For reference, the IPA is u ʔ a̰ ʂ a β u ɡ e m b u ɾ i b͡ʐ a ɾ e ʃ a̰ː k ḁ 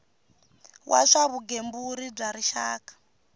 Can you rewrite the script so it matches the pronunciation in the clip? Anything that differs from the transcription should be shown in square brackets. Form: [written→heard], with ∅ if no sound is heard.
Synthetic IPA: [u→w] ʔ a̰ ʂ a β u ɡ e m b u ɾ i b͡ʐ a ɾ [e→i] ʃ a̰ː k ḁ